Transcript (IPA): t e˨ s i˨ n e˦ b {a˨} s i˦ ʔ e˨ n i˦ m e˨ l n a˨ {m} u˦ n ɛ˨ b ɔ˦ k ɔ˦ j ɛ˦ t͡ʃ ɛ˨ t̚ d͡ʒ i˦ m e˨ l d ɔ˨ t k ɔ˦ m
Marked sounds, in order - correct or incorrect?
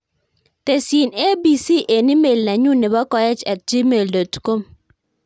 incorrect: i˨, incorrect: ɲ

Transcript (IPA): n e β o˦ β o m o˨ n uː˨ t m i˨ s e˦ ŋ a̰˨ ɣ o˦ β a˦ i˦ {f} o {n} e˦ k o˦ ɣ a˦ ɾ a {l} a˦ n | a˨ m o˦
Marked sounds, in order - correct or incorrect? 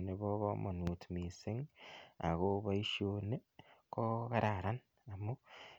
incorrect: ʃ, correct, incorrect: ɾ

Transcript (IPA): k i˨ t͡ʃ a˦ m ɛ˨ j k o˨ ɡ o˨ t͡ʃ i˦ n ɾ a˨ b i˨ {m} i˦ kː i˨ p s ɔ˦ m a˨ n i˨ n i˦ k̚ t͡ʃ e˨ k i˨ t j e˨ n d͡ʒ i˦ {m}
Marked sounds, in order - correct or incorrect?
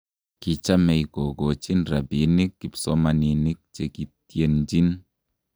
incorrect: n, incorrect: n

